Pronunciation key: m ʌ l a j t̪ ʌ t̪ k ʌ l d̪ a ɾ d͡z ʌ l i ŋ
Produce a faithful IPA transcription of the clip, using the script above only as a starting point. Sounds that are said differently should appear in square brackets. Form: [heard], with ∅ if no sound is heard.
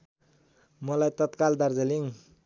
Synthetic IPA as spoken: m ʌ l a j t̪ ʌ t̪ k [a] l d̪ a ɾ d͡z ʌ l i ŋ